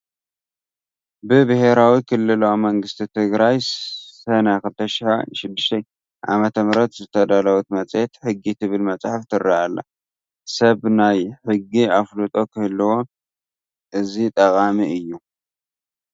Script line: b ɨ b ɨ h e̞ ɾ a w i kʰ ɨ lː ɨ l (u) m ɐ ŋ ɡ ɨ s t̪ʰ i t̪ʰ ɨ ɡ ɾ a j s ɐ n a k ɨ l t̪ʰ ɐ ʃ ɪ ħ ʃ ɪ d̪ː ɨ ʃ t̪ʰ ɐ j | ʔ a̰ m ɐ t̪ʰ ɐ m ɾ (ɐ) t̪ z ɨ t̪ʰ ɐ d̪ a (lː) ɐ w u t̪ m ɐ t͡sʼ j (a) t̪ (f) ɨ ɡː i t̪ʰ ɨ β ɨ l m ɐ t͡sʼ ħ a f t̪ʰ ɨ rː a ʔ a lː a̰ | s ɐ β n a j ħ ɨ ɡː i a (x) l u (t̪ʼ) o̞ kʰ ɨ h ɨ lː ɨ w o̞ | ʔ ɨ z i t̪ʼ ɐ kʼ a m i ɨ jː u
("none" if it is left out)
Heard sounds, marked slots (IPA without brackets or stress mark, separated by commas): o, ɐ, l, e, ħ, f, t̪ʼ